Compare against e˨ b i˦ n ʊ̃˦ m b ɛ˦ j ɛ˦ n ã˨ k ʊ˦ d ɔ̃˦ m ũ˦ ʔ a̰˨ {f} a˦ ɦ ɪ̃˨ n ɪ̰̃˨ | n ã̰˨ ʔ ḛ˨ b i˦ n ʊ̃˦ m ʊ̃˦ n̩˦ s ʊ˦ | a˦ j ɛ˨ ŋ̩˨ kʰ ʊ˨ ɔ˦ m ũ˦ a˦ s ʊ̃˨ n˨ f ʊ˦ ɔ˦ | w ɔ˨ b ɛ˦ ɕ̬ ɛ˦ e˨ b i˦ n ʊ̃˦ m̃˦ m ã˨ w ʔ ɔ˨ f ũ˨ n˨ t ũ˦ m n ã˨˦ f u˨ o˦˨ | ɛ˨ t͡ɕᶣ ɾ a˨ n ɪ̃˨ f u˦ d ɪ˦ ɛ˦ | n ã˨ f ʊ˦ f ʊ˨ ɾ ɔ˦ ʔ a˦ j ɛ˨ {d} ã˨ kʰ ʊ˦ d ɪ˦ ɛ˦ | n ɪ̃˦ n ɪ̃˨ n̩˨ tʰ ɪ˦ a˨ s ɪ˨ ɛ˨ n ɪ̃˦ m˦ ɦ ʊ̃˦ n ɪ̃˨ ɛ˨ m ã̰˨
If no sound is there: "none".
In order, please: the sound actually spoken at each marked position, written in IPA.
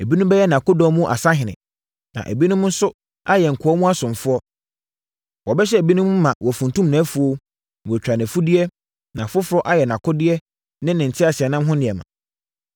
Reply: s, n

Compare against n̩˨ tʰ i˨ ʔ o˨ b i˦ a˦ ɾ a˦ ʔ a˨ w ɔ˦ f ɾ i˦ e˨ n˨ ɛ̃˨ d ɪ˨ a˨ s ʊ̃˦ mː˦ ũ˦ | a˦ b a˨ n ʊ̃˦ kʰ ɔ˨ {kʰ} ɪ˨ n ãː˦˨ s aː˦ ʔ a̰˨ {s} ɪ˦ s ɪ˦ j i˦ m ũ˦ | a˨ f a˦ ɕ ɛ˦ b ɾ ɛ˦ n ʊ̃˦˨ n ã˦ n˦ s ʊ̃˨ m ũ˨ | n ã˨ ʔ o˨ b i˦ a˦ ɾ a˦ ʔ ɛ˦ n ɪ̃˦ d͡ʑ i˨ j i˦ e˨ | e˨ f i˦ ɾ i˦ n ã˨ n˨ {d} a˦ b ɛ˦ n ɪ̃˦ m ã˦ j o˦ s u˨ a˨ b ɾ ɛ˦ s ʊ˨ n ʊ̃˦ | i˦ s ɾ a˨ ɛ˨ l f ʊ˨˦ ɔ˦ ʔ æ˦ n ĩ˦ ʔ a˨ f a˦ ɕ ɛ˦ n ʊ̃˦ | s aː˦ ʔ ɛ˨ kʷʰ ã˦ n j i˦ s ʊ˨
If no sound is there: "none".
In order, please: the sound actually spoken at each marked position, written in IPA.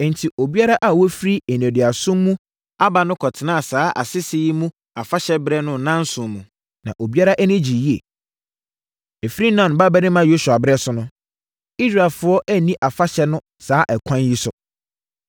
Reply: tʰ, s, b

